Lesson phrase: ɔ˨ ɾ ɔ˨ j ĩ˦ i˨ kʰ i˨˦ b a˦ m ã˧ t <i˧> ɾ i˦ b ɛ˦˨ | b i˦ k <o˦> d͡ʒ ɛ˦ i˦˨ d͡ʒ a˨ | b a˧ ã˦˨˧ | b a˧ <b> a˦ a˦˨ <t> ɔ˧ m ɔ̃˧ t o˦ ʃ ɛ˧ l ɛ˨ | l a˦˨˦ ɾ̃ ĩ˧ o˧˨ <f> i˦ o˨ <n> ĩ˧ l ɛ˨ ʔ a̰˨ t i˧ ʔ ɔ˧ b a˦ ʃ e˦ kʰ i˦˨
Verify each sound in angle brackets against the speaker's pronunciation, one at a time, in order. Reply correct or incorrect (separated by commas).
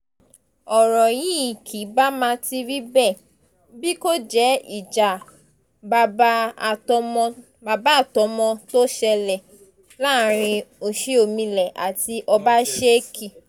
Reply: correct, correct, correct, correct, incorrect, incorrect